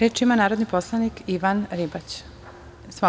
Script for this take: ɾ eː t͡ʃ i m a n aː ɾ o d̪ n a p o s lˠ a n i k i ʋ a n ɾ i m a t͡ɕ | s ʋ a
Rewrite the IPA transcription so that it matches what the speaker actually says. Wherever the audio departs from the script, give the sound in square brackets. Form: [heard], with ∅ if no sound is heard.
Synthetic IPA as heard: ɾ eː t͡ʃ i m a n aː ɾ o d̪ n [i] p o s lˠ a n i k i ʋ a n ɾ i [b] a t͡ɕ | s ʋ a